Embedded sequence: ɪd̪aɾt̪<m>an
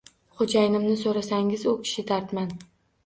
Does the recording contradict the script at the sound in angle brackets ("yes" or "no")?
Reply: no